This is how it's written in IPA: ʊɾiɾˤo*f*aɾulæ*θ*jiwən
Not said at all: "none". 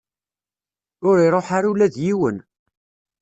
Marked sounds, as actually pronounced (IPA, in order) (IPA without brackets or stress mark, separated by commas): ħ, ð